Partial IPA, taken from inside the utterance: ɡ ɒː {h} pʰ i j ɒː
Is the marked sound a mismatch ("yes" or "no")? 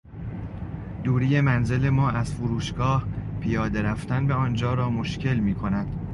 no